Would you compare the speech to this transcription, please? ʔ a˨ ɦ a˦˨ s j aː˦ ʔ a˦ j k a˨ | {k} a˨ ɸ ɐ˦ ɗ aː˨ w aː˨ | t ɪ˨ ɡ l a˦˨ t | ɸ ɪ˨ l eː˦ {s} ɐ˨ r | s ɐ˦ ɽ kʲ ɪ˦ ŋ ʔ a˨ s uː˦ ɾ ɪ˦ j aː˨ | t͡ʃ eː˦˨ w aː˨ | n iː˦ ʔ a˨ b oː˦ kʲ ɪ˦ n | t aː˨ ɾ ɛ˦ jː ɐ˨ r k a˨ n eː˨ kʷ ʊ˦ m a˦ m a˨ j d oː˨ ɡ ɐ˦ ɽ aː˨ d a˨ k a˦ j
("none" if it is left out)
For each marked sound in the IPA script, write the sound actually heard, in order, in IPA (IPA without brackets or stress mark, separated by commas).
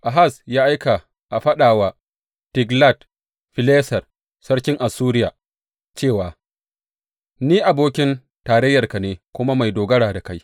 ʔ, s